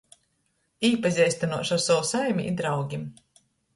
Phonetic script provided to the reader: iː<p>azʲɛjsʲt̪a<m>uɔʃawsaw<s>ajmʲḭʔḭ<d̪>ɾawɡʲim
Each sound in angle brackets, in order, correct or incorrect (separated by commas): correct, incorrect, correct, correct